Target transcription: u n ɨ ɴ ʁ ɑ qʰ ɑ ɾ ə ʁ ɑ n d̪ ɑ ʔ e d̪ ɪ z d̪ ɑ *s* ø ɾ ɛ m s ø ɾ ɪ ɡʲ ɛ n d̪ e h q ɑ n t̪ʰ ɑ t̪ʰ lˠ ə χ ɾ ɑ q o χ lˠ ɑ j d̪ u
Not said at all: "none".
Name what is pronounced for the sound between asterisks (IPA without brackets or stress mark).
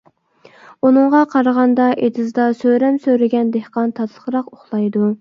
s